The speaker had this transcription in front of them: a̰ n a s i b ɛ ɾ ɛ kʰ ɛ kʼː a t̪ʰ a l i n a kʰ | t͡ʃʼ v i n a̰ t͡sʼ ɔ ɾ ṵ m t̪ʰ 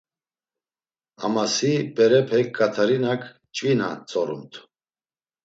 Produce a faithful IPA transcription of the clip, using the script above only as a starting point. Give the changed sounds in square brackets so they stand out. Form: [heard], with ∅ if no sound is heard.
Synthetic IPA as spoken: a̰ [m] a s i b ɛ ɾ ɛ [pʰ] ɛ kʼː a t̪ʰ a [ɾ] i n a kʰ | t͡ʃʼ v i n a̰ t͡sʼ ɔ ɾ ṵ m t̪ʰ